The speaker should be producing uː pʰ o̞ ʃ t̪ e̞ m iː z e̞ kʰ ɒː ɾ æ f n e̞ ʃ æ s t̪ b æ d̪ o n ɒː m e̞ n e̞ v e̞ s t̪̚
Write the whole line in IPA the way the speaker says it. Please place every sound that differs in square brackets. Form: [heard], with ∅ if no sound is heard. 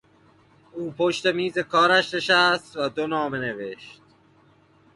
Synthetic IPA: uː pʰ o̞ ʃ t̪ e̞ m iː z e̞ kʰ ɒː ɾ æ [ʃ] n e̞ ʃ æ s t̪ [v] æ d̪ o n ɒː m e̞ n e̞ v e̞ [ʃ] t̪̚

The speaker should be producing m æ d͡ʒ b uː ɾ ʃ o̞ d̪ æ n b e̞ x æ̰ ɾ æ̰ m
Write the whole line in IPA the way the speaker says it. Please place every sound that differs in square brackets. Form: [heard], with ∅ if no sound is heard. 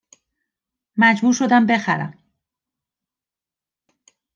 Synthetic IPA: m æ d͡ʒ b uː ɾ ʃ o̞ d̪ æ [m] b e̞ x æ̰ ɾ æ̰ m

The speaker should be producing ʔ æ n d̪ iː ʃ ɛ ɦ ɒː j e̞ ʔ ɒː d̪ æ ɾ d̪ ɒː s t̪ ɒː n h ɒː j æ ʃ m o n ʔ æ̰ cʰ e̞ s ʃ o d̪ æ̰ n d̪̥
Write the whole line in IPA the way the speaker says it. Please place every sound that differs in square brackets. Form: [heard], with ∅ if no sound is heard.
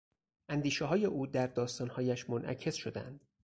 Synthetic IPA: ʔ æ n d̪ iː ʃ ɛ ɦ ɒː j e̞ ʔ [uː] d̪ æ ɾ d̪ ɒː s t̪ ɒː n h ɒː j æ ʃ m o n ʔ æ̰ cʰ e̞ s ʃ o d̪ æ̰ n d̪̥

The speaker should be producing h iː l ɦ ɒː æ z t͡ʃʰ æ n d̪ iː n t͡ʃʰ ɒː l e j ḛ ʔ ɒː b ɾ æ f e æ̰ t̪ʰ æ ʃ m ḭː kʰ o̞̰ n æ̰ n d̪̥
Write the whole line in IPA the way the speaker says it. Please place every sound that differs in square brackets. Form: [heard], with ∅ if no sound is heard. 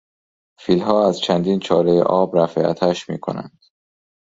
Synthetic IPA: [f] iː l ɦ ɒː æ z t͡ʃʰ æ n d̪ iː n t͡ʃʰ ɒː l e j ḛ ʔ ɒː b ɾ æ f e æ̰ t̪ʰ æ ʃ m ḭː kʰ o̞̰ n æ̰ n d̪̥

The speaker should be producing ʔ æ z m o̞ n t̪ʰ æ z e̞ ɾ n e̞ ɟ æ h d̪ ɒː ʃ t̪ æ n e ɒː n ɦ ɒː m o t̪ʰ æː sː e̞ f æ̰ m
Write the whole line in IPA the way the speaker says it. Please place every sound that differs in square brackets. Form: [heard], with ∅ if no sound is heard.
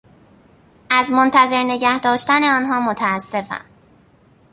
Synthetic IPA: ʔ æ z m o̞ n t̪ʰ æ z e̞ ɾ n e̞ ɟ æ h d̪ ɒː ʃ t̪ æ n e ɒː n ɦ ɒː m o t̪ʰ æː sː e̞ f æ̰ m

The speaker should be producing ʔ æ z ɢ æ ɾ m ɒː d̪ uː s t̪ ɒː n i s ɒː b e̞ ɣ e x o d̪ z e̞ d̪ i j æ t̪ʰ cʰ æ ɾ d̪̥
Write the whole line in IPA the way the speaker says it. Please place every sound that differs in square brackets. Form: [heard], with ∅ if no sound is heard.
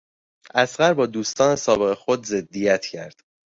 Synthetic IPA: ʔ æ [s] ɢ æ ɾ [b] ɒː d̪ uː s t̪ ɒː n [e] s ɒː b e̞ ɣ e x o d̪ z e̞ [d̪ː] i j æ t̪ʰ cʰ æ ɾ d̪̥

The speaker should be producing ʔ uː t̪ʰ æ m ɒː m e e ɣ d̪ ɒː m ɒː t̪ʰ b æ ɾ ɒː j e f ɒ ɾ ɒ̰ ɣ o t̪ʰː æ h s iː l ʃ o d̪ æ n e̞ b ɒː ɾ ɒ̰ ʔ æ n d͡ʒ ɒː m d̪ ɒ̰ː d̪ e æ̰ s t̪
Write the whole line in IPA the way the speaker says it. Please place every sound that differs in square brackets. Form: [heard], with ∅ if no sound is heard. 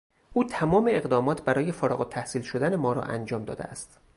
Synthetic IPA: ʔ uː t̪ʰ æ m ɒː m e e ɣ d̪ ɒː m ɒː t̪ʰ b æ ɾ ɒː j e f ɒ ɾ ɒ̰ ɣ o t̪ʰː æ h s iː l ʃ o d̪ æ n e̞ [m] ɒː ɾ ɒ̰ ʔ æ n d͡ʒ ɒː m d̪ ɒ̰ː d̪ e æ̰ s t̪

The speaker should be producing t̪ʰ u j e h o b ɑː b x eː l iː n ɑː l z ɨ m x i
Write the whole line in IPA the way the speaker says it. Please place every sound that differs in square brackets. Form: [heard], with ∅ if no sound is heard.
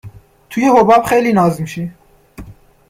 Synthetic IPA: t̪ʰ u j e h o b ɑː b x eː l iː n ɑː [∅] z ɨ m [ʃ] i

